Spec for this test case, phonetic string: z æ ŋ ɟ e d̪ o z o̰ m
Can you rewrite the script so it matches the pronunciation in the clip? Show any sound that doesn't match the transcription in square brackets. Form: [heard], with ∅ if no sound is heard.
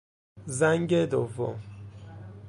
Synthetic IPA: z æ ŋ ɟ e d̪ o [v] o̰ m